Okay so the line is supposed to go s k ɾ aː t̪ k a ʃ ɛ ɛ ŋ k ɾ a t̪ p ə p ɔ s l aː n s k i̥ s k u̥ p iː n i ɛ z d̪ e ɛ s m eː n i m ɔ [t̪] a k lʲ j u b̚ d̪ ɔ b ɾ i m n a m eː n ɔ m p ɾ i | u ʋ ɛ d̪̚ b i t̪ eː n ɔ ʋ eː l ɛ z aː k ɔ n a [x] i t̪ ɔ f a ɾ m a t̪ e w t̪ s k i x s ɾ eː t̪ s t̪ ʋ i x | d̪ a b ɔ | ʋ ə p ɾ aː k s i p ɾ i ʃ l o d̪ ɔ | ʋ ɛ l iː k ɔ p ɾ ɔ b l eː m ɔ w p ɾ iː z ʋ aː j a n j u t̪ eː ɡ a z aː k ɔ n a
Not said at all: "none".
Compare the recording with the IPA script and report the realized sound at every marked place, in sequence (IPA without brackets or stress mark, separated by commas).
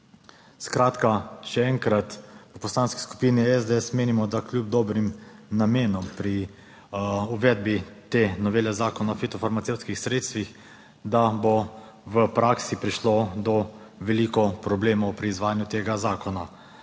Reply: d̪, f